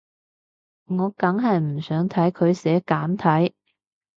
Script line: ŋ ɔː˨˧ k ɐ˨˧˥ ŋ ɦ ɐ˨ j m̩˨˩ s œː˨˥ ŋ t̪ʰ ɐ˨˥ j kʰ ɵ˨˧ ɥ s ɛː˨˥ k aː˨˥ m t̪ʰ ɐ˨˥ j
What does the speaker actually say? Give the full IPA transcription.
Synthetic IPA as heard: ŋ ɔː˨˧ k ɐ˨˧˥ ŋ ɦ ɐ˨ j m̩˨˩ s œː˨˥ ŋ t̪ʰ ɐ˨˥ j kʰ ɵ˨˧ ɥ s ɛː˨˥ k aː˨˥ m t̪ʰ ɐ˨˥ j